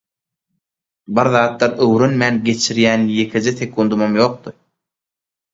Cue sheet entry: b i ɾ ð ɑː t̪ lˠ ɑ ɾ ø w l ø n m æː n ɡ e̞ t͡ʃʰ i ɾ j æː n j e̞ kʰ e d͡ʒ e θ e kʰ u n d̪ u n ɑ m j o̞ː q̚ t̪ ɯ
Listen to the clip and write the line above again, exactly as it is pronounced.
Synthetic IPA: b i ɾ ð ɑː t̪ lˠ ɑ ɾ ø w ɾ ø n m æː n ɡ e̞ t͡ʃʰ i ɾ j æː n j e̞ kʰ e d͡ʒ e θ e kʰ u n d̪ u m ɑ m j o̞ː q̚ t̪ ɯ